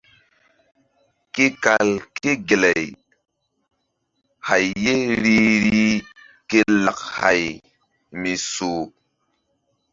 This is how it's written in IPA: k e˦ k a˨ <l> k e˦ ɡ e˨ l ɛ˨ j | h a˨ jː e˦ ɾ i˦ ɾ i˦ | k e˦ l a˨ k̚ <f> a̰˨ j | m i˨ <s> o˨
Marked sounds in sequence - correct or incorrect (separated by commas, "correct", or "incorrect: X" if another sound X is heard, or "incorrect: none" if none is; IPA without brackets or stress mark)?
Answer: correct, incorrect: h, correct